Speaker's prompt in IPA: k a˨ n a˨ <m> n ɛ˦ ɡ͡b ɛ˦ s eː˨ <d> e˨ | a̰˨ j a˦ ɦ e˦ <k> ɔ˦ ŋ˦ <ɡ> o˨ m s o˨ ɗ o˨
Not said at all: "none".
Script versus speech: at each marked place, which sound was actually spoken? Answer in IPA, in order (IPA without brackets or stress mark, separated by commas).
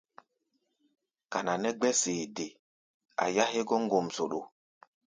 none, d, ɡ, ɡ